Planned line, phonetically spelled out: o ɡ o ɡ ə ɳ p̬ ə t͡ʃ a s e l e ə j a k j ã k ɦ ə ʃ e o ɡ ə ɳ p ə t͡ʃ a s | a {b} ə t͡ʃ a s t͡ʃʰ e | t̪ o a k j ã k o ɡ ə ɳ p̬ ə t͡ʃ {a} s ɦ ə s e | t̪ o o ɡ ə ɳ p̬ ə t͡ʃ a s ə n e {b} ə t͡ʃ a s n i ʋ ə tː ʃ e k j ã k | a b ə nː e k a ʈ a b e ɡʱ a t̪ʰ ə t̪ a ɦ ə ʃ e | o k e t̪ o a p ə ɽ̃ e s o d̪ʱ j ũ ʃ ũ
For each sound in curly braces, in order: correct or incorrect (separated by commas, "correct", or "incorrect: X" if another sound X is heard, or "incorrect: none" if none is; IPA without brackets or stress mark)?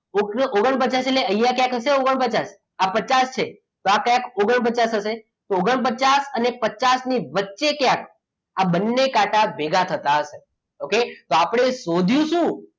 incorrect: p, correct, incorrect: p